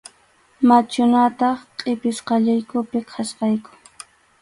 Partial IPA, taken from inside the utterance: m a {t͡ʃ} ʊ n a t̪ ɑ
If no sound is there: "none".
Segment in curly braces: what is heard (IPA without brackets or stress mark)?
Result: t͡ʃ